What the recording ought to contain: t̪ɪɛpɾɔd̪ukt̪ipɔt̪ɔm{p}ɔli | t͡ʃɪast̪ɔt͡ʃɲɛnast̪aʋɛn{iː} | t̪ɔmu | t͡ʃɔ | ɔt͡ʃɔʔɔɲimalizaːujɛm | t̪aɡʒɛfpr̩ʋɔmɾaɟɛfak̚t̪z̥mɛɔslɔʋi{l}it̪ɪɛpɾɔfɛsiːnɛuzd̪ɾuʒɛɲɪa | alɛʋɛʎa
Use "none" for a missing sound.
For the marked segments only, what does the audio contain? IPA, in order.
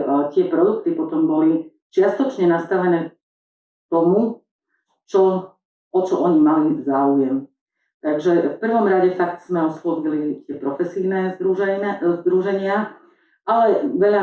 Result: b, ɛː, l

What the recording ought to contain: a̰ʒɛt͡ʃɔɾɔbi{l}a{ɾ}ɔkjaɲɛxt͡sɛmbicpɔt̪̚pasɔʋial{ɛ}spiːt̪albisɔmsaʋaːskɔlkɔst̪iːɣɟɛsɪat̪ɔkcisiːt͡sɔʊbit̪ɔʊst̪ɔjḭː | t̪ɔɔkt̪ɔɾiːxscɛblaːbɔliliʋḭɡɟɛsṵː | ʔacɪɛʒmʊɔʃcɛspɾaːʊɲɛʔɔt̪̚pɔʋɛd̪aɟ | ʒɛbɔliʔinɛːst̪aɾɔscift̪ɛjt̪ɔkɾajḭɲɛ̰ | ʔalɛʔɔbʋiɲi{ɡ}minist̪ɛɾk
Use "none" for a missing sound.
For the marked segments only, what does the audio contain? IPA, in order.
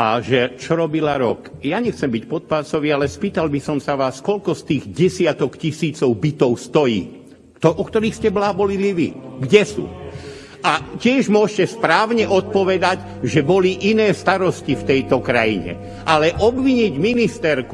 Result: l, ɾ, ɛ, ɟ

